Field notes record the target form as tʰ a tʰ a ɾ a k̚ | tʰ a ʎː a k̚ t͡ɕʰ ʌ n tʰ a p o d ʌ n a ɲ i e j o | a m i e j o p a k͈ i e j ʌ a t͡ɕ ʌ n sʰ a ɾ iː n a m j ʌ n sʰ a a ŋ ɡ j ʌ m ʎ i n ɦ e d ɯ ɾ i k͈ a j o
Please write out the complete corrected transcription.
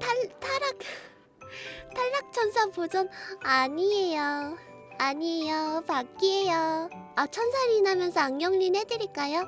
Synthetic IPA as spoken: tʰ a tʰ a ɾ a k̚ | tʰ a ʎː a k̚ t͡ɕʰ ʌ n sʰ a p o d͡ʑ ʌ n a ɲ i e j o | a ɲ i e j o p a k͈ i e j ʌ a t͡ɕʰ ʌ n sʰ a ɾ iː n a m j ʌ n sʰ ʌ a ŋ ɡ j ʌ ŋ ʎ i n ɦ e d ɯ ɾ i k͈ a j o